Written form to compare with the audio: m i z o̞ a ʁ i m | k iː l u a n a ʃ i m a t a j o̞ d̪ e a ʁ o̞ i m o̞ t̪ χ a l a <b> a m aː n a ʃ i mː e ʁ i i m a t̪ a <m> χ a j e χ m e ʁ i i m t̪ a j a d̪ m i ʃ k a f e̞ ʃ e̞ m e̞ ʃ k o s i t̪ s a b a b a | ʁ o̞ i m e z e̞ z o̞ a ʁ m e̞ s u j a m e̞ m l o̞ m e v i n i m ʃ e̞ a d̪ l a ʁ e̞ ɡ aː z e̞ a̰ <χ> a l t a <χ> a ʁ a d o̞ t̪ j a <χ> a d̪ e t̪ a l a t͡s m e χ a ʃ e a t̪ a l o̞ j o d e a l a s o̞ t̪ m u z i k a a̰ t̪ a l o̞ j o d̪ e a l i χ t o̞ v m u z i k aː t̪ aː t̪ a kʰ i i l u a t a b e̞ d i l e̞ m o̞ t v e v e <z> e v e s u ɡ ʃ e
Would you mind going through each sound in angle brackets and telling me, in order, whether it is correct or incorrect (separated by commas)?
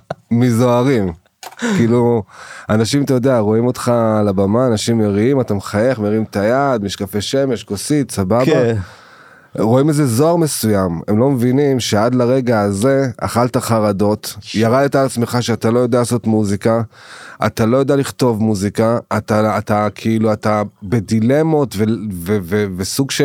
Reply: correct, correct, correct, correct, incorrect, incorrect